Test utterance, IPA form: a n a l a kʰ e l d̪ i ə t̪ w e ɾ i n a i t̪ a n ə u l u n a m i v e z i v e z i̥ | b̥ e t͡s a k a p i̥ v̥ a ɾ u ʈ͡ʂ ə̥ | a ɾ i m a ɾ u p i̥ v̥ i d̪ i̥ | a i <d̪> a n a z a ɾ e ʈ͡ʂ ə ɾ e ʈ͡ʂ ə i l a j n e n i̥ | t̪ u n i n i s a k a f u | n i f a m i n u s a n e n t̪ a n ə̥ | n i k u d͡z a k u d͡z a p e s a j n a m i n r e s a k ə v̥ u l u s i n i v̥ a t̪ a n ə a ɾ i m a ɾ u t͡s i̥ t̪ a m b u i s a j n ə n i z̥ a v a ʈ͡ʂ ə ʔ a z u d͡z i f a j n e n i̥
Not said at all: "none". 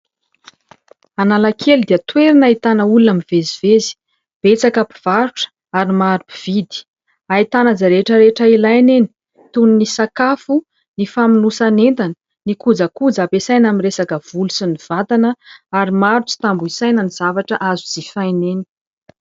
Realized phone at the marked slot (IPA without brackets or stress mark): t̪